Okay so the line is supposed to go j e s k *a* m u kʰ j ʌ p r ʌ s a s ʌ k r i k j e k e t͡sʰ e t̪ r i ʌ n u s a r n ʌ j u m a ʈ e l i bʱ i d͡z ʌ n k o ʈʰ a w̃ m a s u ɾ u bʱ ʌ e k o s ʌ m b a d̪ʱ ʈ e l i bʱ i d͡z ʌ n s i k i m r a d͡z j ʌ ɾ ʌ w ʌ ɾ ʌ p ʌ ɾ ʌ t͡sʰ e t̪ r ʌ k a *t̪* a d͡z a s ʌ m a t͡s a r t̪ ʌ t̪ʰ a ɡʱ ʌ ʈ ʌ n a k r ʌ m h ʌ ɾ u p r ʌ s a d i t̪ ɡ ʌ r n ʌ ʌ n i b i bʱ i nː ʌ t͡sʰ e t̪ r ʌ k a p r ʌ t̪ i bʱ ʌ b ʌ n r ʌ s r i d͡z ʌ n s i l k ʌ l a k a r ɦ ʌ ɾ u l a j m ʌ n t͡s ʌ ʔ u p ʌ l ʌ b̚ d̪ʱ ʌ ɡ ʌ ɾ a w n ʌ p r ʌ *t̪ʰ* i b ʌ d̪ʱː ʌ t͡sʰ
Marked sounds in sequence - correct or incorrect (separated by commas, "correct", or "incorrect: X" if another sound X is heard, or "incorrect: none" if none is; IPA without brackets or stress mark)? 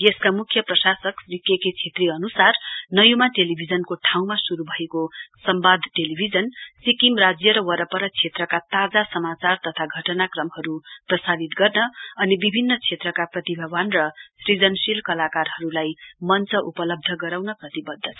correct, correct, incorrect: t̪